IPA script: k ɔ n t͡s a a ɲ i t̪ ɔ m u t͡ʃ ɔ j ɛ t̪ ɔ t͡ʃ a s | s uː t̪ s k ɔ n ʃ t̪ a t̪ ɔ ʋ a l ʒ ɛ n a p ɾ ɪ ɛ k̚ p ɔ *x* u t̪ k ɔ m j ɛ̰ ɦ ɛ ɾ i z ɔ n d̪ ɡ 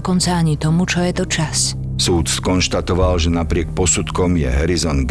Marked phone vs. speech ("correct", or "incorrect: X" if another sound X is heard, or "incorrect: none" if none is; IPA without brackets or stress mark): incorrect: s